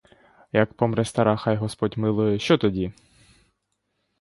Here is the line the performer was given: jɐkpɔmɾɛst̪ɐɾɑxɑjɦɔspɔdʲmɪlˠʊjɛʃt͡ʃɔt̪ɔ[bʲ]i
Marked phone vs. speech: incorrect: dʲ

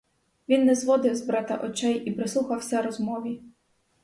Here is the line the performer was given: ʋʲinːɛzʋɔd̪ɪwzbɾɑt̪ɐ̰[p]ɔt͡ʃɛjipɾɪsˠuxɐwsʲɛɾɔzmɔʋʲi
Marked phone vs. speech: incorrect: ʔ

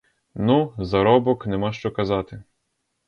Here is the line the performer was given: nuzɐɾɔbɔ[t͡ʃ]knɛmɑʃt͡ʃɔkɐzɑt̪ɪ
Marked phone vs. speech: incorrect: none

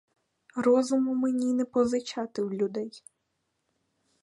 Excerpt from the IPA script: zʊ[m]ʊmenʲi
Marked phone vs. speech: correct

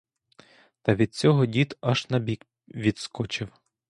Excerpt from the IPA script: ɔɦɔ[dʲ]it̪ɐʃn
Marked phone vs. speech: correct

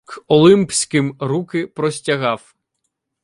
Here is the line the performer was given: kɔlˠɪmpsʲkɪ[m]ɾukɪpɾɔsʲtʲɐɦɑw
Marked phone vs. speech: correct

